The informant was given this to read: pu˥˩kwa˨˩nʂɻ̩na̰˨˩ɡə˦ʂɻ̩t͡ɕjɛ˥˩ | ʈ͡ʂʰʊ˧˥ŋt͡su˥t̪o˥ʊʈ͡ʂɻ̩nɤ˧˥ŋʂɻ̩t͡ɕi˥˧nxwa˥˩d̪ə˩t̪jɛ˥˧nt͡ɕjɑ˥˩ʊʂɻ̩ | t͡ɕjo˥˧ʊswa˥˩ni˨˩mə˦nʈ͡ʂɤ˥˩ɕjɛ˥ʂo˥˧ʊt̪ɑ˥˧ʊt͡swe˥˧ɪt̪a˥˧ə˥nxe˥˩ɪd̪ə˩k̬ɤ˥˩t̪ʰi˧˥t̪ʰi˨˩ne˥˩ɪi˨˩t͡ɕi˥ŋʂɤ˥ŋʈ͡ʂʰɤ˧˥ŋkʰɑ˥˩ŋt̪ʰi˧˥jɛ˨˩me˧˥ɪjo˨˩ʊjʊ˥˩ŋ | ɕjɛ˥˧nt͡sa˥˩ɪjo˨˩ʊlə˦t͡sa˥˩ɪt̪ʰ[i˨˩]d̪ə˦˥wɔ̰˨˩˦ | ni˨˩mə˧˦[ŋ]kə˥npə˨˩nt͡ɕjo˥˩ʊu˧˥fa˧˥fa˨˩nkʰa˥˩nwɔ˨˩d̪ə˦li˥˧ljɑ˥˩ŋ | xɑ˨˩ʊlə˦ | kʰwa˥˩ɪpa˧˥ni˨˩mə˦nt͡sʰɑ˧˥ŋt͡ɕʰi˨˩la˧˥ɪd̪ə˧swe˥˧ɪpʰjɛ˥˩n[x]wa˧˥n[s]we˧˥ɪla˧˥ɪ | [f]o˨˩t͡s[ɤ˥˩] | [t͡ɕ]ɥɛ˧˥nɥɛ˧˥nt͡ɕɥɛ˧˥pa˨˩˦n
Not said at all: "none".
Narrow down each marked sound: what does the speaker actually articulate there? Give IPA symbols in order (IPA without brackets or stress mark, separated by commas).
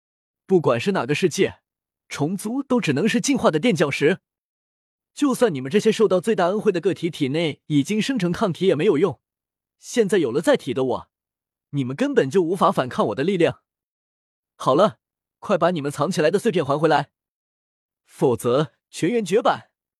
i˨˩, n, x, x, f, ɤ˧˥, t͡ɕʰ